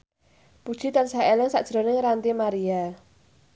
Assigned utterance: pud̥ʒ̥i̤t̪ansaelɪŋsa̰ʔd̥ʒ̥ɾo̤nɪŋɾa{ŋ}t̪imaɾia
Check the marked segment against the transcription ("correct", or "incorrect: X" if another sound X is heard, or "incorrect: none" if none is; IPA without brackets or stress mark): incorrect: n